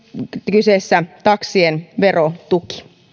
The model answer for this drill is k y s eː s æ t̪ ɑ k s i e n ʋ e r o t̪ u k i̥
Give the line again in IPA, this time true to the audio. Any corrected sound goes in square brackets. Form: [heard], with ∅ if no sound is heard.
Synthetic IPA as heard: k y s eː [sː] æ t̪ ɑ k s i e n ʋ e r o t̪ u k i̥